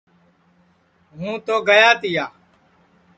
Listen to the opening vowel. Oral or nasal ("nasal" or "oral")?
nasal